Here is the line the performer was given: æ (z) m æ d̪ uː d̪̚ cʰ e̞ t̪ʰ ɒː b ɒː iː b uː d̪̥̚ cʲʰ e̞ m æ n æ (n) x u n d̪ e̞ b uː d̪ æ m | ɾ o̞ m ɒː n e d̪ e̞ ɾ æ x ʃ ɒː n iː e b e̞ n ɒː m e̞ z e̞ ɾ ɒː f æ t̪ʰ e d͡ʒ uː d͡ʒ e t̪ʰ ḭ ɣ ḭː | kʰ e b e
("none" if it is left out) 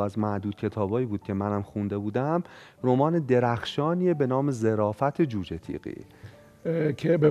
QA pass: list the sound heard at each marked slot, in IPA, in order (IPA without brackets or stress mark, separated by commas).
z, m